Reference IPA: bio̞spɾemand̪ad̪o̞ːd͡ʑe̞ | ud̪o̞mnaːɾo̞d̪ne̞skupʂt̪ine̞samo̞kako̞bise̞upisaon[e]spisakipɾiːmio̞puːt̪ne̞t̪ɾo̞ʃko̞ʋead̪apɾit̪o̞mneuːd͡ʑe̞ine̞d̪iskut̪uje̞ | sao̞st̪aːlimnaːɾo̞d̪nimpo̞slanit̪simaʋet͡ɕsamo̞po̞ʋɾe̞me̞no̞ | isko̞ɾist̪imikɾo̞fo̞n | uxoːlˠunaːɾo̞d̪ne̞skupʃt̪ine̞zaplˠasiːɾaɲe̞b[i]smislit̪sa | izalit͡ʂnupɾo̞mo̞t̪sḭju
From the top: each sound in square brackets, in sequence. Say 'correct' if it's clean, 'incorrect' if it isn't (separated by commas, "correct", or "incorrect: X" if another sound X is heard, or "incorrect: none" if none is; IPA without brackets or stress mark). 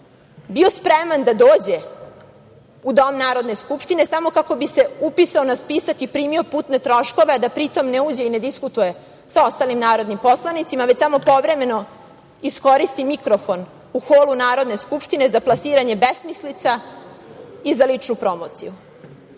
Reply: incorrect: a, incorrect: e